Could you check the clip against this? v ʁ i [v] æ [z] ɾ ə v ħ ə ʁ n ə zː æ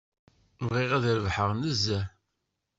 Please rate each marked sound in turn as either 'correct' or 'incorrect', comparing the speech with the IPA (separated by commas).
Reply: incorrect, incorrect